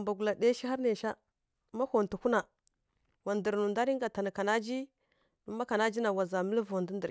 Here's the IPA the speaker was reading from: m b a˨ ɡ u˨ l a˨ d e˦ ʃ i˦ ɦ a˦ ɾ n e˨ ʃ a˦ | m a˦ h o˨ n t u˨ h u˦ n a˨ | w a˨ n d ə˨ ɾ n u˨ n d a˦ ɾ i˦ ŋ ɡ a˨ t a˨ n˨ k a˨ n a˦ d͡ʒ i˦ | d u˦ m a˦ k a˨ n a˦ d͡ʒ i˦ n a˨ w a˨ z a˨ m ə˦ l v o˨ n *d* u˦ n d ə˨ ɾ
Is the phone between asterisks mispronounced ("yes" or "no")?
no